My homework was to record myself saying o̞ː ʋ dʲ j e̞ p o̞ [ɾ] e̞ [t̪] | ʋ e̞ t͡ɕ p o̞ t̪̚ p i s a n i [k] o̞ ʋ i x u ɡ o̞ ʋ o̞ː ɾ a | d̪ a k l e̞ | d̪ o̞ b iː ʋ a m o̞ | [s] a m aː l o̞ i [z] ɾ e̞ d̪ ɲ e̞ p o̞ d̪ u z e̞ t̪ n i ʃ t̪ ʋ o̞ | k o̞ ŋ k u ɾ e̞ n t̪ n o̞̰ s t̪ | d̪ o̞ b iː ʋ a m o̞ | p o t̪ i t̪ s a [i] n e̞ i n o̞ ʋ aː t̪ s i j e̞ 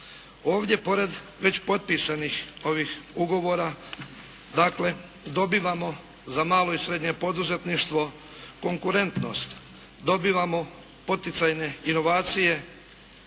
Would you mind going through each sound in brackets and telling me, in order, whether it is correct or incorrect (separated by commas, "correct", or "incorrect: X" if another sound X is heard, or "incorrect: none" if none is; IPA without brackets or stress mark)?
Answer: correct, incorrect: d̪, incorrect: x, incorrect: z, incorrect: s, incorrect: j